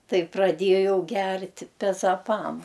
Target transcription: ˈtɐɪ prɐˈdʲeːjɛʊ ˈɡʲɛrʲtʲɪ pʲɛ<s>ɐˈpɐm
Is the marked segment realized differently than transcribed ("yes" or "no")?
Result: yes